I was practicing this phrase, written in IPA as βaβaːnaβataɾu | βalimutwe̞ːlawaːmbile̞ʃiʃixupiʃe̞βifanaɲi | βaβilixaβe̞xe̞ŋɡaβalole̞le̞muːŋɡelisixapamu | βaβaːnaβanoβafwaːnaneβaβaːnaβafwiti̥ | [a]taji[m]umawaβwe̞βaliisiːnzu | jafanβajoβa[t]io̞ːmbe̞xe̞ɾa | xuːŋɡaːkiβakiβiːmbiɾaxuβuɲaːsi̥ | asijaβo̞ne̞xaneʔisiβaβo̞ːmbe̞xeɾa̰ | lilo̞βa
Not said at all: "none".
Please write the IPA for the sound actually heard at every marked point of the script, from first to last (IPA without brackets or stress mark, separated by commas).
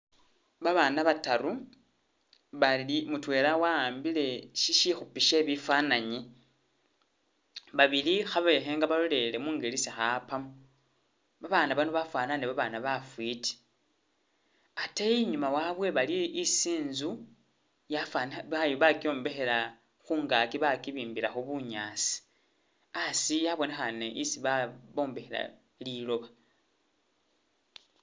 a, ɲ, k